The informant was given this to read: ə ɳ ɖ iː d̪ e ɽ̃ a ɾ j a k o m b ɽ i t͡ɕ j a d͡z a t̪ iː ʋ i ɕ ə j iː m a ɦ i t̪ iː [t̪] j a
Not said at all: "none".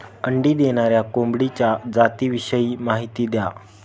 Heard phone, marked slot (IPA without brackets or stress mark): d̪